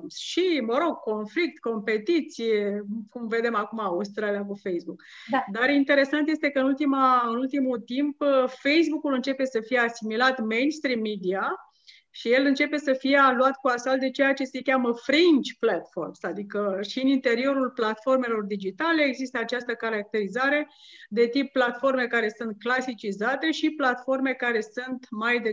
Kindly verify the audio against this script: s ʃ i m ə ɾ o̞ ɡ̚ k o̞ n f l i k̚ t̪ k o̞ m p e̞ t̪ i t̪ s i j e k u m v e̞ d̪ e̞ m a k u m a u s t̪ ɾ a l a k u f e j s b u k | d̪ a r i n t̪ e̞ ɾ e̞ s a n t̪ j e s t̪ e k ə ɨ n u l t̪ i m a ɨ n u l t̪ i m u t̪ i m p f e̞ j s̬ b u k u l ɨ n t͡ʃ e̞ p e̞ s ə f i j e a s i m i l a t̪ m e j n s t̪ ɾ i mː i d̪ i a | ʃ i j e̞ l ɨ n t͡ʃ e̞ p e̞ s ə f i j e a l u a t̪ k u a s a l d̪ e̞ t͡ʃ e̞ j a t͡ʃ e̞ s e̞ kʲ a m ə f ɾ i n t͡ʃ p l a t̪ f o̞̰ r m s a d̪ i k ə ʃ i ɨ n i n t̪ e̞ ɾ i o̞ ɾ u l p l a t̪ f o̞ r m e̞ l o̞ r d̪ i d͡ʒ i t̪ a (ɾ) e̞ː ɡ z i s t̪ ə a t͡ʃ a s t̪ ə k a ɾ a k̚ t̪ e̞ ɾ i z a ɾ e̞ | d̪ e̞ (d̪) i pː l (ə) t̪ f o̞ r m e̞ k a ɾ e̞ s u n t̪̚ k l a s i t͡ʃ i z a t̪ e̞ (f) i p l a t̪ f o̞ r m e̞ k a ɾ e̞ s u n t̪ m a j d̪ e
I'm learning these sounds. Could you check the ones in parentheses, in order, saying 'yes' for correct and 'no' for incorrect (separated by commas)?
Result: no, no, no, no